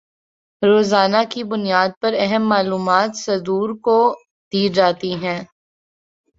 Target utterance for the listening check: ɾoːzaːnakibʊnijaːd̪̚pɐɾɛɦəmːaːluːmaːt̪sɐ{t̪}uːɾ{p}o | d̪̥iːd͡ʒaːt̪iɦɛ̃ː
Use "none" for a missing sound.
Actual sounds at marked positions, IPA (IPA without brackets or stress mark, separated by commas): d̪, k